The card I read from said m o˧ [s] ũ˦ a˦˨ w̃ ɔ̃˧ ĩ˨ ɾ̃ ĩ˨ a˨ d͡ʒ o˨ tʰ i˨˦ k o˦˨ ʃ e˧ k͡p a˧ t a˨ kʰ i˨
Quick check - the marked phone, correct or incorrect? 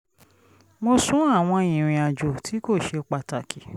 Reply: correct